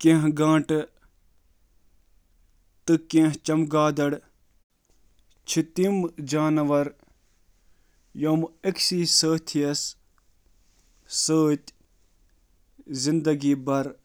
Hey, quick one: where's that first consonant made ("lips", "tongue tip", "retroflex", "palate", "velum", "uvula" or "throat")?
velum